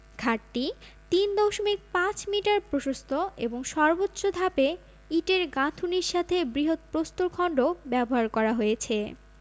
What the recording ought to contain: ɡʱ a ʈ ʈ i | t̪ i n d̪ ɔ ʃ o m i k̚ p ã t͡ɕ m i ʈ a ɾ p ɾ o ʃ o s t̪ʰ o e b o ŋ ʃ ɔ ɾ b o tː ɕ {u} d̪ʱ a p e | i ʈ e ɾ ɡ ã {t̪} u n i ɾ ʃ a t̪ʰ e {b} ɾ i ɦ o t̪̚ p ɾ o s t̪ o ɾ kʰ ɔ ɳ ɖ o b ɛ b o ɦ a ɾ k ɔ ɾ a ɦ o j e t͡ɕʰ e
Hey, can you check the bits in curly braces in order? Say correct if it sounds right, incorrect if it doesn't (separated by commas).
incorrect, incorrect, correct